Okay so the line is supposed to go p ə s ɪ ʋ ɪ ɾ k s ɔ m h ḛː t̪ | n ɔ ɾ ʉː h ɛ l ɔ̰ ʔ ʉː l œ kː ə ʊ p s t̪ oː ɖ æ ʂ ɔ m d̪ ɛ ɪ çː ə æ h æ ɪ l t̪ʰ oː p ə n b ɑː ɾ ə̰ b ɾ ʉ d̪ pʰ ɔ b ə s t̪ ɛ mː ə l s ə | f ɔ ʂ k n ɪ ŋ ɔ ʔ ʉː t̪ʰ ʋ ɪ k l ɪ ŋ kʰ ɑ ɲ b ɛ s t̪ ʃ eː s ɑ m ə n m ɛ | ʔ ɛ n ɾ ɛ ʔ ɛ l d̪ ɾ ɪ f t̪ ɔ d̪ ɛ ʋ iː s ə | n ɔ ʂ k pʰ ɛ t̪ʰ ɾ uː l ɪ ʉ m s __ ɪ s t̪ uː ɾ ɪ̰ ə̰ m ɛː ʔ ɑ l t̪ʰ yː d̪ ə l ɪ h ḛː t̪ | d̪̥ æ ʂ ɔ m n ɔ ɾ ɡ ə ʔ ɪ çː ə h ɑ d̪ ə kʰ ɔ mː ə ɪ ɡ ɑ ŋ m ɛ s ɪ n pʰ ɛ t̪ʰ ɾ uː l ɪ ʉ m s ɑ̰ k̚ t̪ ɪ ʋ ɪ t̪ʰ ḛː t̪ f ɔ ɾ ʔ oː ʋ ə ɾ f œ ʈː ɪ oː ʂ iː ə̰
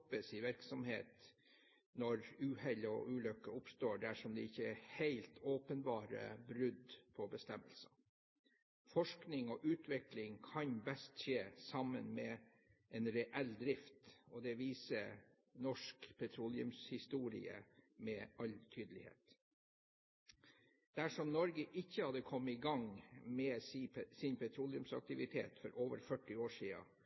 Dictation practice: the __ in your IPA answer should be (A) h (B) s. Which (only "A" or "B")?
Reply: A